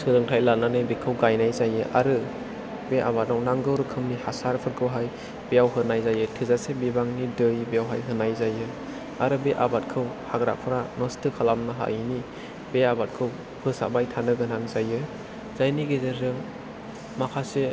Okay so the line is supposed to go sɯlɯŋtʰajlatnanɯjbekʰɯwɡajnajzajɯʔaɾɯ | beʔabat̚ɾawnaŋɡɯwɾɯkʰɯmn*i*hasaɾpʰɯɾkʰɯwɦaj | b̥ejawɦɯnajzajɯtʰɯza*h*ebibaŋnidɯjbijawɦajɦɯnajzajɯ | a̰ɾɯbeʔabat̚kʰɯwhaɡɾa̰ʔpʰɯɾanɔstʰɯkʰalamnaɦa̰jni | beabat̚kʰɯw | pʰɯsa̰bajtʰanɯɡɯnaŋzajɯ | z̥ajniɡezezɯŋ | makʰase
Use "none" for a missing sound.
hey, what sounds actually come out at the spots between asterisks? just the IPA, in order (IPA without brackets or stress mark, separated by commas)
i, s